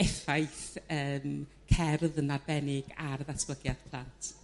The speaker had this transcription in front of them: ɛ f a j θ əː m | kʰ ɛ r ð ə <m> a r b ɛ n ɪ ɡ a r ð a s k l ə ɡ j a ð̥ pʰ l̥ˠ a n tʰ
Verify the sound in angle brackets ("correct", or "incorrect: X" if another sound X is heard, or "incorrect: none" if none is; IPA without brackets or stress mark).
incorrect: n